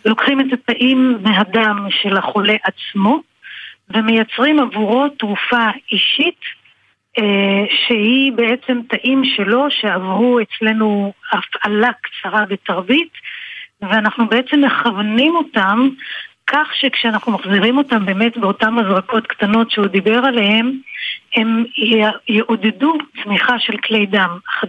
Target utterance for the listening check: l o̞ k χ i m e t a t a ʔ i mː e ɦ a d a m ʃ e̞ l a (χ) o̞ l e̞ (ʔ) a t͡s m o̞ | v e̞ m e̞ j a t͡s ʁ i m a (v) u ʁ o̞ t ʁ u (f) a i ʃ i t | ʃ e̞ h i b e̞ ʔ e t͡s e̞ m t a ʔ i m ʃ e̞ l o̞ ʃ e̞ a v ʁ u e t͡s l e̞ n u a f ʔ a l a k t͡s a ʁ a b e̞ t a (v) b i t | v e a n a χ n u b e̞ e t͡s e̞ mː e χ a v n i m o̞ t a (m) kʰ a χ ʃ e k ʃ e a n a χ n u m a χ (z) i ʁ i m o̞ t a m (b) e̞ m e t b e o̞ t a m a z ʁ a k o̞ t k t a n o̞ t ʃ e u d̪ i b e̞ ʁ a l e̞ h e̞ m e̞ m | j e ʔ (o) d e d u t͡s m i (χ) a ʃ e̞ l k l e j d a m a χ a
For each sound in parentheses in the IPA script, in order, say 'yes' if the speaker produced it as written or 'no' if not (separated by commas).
yes, yes, yes, yes, no, yes, yes, yes, yes, yes